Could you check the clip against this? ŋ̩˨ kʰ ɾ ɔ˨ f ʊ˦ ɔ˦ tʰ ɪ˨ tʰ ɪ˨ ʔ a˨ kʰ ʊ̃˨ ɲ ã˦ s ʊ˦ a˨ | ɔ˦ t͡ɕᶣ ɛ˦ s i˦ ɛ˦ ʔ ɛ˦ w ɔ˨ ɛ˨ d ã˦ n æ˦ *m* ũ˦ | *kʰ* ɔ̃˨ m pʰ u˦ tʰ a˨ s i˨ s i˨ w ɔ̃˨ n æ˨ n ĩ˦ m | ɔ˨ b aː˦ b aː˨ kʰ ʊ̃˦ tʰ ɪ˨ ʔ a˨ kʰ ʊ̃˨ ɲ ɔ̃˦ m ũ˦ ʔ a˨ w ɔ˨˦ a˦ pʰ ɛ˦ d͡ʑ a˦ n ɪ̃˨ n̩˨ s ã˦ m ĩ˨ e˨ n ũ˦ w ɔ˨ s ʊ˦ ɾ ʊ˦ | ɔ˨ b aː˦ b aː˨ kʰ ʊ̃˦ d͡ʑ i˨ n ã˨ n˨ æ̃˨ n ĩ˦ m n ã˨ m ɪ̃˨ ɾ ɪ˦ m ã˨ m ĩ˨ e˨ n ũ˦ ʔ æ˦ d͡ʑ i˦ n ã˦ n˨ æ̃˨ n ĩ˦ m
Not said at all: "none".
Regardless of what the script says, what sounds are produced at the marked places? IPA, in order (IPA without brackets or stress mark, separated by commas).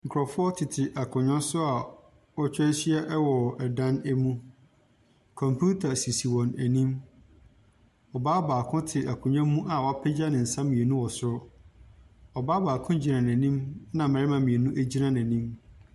m, kʰ